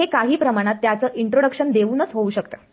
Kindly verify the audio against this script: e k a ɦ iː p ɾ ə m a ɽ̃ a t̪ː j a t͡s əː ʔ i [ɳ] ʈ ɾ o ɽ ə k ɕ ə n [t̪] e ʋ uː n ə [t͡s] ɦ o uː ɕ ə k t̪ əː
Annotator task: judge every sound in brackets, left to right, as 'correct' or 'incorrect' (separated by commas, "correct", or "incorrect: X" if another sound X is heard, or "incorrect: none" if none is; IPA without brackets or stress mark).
correct, incorrect: d̪, correct